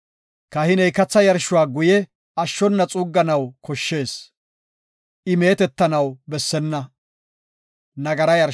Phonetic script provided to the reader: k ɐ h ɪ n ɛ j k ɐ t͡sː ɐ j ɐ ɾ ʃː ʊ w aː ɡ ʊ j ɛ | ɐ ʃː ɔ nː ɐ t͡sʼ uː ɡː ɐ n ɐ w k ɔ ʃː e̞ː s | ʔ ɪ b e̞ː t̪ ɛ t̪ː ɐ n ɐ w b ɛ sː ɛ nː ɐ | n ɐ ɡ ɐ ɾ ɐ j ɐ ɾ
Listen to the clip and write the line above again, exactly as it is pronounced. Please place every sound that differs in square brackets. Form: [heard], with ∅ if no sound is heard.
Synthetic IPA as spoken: k ɐ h ɪ n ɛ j k ɐ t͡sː ɐ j ɐ ɾ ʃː ʊ w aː ɡ ʊ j ɛ | ɐ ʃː ɔ nː ɐ t͡sʼ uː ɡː ɐ n ɐ w k ɔ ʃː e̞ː s | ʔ ɪ [m] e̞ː t̪ ɛ t̪ː ɐ n ɐ w b ɛ sː ɛ nː ɐ | n ɐ ɡ ɐ ɾ ɐ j ɐ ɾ